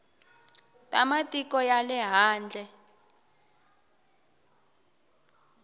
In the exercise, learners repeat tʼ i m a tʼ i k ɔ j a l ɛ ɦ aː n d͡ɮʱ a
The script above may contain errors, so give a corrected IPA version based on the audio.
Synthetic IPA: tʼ a m a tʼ i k ɔ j a l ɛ ɦ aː n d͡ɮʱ ɛ